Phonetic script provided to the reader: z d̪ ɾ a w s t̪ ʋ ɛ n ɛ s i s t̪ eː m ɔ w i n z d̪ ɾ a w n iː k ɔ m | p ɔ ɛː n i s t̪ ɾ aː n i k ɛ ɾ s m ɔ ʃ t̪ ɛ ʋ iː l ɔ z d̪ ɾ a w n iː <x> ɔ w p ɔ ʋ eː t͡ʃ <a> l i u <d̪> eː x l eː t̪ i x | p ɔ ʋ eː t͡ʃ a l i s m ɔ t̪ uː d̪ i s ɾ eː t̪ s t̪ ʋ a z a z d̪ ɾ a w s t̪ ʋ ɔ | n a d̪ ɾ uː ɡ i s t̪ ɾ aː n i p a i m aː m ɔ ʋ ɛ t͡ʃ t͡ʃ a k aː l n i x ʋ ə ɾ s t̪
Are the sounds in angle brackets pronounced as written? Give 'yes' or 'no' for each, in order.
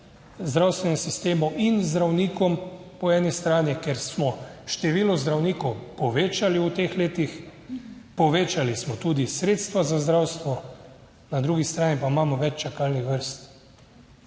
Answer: no, yes, no

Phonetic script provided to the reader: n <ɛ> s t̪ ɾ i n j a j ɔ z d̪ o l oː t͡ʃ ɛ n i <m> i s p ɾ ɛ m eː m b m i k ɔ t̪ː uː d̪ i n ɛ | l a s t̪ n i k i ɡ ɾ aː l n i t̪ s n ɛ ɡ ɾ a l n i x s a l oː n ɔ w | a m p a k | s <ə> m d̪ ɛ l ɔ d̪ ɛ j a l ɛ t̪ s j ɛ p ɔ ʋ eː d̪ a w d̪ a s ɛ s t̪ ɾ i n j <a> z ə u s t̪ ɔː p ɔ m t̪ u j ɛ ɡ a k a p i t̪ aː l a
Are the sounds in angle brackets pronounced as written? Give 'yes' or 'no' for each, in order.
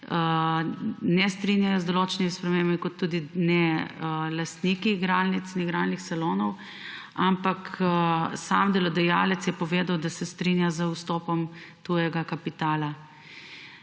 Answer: yes, yes, no, yes

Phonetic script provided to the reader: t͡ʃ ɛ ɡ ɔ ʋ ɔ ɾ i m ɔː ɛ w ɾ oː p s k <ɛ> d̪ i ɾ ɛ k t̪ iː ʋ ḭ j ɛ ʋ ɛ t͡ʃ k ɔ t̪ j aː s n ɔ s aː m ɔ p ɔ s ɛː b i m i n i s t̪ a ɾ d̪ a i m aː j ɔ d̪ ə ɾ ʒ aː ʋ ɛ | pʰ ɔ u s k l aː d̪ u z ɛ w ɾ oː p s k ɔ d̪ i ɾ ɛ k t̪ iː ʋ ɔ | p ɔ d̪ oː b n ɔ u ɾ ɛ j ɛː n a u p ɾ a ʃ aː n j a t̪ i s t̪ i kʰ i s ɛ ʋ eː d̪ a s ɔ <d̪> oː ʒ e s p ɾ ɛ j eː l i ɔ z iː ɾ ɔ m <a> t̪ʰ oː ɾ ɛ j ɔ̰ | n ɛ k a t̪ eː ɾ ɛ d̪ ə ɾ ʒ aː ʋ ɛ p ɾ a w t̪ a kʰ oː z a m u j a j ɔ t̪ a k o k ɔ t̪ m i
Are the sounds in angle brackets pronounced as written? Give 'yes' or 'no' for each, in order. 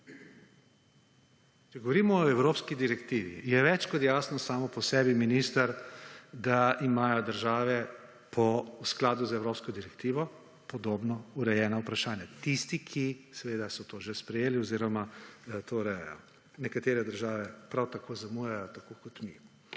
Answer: no, no, yes

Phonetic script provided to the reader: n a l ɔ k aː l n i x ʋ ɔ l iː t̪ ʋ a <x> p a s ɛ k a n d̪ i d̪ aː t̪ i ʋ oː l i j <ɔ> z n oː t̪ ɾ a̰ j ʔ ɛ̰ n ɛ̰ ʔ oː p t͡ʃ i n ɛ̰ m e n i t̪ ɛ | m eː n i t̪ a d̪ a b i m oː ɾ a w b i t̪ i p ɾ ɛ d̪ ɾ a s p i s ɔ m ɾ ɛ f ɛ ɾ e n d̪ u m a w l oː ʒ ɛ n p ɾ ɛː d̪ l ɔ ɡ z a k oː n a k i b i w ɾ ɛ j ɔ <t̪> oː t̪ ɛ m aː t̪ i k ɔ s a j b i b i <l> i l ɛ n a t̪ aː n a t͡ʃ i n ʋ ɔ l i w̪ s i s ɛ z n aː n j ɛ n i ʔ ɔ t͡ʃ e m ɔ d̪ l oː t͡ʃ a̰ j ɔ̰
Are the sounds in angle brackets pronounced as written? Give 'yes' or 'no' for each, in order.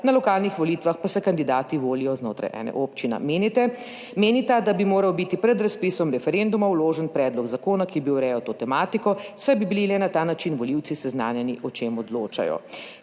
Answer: yes, yes, yes, yes

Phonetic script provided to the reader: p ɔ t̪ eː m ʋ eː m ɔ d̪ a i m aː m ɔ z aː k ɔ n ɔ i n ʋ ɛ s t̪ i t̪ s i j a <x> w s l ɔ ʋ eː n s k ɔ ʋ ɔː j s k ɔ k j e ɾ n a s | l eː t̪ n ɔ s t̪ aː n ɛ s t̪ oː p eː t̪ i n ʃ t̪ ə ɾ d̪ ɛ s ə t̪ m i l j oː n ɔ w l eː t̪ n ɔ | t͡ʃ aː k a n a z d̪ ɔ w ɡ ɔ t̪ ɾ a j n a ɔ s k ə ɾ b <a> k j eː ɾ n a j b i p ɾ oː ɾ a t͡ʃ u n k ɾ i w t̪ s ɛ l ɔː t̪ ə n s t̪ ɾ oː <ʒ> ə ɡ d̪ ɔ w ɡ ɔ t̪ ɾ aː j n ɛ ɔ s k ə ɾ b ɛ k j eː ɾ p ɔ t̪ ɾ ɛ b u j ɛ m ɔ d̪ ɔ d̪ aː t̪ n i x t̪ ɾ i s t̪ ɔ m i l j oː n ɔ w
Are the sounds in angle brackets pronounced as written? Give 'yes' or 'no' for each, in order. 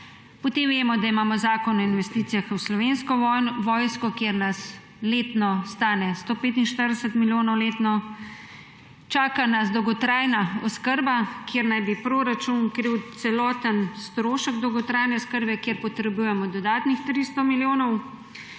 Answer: yes, yes, no

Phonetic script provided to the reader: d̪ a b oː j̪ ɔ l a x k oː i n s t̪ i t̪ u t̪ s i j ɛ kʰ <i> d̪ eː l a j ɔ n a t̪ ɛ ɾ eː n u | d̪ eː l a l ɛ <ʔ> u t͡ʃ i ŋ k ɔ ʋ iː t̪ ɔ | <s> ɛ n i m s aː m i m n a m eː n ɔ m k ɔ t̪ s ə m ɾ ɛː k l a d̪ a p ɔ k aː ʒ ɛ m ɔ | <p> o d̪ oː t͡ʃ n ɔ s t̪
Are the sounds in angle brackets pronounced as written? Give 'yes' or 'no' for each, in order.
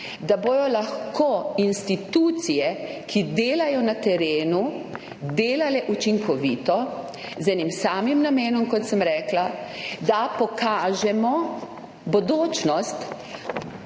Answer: yes, yes, no, no

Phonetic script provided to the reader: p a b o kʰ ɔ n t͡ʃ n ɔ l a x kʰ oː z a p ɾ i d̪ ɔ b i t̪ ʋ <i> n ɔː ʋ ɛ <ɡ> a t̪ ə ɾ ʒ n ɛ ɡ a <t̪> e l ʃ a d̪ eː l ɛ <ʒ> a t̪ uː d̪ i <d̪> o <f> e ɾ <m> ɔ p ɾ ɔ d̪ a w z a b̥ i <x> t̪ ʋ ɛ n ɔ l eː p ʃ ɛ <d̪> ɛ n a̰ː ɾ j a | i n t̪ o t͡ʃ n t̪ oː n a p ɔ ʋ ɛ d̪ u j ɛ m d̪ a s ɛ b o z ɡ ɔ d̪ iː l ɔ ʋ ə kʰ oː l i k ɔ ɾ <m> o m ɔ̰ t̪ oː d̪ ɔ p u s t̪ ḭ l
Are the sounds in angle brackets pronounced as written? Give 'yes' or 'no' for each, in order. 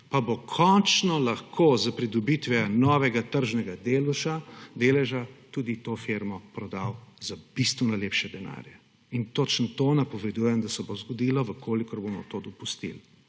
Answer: no, yes, no, yes, no, yes, yes, no, yes, no

